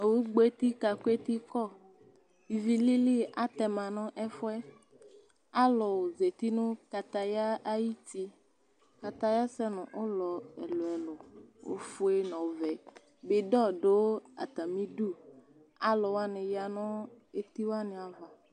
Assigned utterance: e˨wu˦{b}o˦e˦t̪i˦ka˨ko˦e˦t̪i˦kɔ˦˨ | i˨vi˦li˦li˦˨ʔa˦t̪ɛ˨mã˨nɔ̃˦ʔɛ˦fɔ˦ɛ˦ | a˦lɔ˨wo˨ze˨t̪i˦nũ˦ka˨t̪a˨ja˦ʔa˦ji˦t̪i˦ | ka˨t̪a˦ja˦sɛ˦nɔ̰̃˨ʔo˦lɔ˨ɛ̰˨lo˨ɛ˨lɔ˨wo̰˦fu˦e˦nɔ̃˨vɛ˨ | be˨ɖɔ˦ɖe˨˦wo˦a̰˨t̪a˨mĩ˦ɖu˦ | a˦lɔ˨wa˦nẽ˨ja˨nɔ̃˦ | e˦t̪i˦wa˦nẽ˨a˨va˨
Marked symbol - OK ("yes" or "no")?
no